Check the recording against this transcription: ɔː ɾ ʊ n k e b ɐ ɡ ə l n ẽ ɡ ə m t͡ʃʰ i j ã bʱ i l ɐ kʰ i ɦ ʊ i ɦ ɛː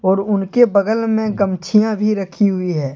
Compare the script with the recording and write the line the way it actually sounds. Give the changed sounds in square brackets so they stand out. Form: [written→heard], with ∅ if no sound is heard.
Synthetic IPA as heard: ɔː ɾ ʊ n k e b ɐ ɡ ə l [n→m] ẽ ɡ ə m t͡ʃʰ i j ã bʱ i [l→ɾ] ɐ kʰ i ɦ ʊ i ɦ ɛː